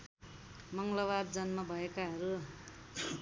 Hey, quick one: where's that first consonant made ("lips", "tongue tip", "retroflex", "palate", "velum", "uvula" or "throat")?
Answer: lips